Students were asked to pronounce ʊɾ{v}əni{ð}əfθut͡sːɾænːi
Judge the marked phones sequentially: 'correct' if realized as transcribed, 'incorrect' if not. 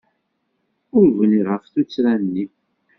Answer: correct, incorrect

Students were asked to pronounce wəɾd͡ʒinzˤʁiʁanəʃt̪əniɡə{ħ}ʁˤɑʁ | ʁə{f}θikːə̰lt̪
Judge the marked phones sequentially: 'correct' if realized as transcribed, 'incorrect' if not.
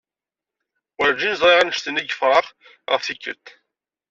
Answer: incorrect, correct

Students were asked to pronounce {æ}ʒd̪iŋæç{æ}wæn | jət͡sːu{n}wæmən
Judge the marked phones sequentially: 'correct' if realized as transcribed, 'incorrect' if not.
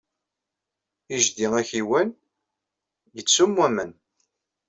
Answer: incorrect, incorrect, incorrect

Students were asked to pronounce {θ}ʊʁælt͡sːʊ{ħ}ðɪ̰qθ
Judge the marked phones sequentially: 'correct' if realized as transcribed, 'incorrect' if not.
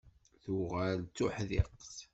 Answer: correct, correct

